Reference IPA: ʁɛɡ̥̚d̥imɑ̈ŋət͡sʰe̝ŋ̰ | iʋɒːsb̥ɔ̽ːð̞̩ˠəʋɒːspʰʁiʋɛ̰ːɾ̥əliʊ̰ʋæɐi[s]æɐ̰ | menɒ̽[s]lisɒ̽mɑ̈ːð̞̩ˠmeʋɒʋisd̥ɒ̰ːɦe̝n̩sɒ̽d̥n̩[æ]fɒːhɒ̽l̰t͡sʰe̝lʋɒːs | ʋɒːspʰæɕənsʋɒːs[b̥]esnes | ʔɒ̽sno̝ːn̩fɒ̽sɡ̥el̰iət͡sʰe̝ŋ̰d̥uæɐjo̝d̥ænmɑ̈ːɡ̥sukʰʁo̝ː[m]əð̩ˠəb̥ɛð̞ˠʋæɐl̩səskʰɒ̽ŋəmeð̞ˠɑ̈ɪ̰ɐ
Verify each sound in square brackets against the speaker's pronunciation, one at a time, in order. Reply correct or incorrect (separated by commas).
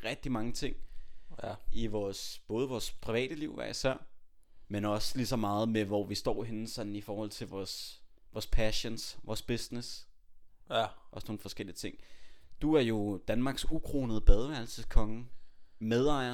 correct, correct, incorrect, correct, incorrect